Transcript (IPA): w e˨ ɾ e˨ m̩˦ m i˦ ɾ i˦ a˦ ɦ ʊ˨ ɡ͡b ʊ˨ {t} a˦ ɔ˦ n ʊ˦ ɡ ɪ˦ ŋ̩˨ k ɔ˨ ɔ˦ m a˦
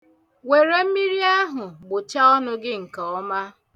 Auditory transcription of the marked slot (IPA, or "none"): t͡ʃ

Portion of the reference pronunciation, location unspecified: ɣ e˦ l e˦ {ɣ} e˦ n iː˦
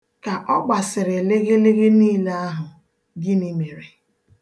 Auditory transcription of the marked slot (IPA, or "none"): ɣ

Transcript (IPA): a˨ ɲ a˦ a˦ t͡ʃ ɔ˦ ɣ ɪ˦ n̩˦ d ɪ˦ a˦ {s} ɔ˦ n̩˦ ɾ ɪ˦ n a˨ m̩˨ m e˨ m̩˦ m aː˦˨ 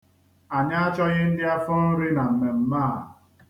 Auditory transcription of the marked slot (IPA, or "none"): f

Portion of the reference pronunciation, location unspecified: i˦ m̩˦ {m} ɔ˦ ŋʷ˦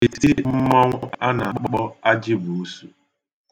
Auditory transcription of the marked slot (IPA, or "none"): m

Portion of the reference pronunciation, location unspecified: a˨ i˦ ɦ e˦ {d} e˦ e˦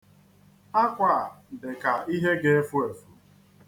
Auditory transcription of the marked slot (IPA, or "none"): ɡ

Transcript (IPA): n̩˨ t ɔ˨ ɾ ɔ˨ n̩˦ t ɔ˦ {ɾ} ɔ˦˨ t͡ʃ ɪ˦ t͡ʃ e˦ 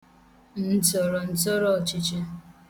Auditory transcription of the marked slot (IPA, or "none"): ɾ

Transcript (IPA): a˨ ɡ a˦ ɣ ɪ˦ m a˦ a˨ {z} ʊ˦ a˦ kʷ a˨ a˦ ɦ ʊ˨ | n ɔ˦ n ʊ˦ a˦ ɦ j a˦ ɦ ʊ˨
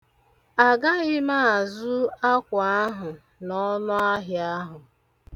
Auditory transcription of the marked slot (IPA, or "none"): z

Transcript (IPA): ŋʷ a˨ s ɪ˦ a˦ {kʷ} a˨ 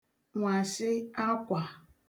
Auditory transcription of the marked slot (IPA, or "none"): kʷ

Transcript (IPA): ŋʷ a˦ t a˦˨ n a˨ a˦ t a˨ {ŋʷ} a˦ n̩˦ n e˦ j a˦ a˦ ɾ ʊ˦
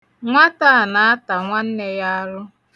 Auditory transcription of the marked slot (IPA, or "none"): ŋʷ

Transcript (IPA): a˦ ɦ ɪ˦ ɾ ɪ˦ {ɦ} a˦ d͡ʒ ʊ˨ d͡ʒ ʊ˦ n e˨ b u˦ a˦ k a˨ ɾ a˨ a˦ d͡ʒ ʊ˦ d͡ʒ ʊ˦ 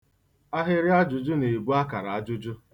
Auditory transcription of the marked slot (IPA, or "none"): none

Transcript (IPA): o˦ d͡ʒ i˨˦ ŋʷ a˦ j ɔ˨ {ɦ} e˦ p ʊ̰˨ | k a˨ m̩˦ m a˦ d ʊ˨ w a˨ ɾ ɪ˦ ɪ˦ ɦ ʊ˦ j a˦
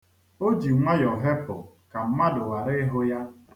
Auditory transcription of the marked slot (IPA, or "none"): ɦ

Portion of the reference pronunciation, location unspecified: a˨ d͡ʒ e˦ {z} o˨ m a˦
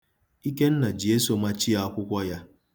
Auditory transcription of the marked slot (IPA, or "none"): s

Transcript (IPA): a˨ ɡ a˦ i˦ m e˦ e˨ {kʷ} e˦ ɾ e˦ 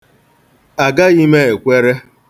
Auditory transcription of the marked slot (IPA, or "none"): kʷ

